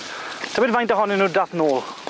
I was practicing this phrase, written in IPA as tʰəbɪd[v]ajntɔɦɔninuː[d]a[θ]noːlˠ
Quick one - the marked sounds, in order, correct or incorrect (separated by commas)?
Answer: correct, correct, correct